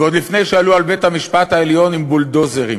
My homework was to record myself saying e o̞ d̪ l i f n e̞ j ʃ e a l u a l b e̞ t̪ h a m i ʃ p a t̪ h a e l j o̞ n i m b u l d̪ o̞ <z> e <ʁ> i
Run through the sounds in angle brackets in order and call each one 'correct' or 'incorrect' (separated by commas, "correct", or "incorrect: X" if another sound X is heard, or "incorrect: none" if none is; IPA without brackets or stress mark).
correct, correct